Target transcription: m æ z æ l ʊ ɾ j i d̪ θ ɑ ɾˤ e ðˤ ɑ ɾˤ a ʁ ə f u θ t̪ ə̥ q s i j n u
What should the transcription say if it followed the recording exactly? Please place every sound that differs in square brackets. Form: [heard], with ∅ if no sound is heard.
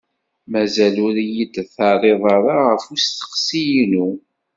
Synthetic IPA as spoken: m æ z æ l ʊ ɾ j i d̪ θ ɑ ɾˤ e ðˤ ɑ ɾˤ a ʁ ə f u [s] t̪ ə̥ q s i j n u